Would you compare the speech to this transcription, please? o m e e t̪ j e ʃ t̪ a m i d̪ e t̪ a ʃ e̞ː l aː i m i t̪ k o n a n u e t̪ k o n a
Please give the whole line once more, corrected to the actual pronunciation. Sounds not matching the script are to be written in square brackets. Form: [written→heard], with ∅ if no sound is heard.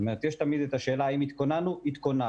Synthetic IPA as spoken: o m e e t̪ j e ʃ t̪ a m i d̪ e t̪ a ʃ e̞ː l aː i m i t̪ k o n a n u [e→i] t̪ k o n a